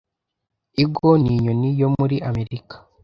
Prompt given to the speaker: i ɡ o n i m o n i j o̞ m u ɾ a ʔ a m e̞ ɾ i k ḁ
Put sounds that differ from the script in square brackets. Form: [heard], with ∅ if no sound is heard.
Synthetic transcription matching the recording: i ɡ o n i [ɲ] o n i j o̞ m u ɾ [i] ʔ a m e̞ ɾ i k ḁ